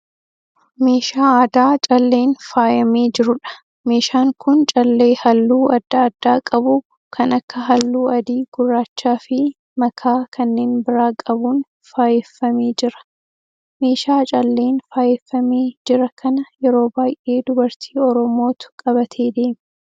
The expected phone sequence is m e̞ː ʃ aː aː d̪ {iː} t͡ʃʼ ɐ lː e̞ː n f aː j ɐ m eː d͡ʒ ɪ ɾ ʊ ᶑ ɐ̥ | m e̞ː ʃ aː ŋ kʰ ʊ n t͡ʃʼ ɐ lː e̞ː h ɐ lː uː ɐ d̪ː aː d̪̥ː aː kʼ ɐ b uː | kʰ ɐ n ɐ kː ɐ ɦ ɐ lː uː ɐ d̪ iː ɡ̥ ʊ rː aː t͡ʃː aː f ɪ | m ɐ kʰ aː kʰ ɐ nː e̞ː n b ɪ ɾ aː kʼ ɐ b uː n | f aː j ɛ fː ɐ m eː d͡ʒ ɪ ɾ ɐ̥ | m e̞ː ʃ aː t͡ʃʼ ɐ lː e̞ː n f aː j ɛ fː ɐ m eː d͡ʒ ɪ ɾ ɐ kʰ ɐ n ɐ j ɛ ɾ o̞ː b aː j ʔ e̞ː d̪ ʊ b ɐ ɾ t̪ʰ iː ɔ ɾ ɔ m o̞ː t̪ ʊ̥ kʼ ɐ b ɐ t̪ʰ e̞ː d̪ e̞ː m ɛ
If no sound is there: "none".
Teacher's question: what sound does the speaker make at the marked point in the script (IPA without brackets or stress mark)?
aː